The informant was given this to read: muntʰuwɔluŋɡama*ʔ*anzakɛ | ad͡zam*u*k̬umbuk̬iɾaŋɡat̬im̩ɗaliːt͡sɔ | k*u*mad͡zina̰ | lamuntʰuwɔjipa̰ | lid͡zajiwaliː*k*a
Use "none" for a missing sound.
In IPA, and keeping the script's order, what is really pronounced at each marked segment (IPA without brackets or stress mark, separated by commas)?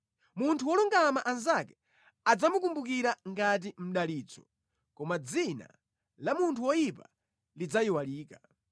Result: ʔ, u, ɔ, k